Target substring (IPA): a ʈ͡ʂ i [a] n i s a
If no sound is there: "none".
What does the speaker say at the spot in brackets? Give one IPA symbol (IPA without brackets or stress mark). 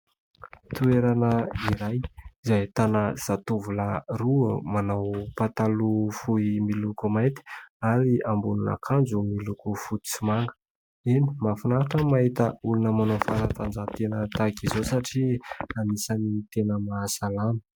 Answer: a